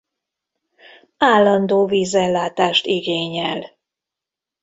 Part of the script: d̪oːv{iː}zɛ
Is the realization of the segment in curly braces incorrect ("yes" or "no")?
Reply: no